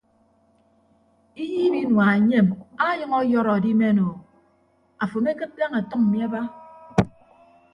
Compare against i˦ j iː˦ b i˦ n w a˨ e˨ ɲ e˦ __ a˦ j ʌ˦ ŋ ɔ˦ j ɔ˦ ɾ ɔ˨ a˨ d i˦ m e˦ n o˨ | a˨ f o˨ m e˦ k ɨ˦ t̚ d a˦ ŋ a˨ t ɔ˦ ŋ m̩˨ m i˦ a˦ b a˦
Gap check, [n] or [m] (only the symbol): m